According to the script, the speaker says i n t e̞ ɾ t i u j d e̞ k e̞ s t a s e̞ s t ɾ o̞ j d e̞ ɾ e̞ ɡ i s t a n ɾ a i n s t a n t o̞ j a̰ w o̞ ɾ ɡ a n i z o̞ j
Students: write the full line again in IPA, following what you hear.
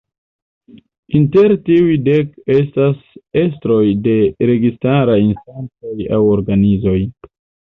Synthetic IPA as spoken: i n t e̞ ɾ t i u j d e̞ k e̞ s t a s e̞ s t ɾ o̞ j d e̞ ɾ e̞ ɡ i s t a ɾ a i n s t a n t͡s o̞ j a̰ w o̞ ɾ ɡ a n i z o̞ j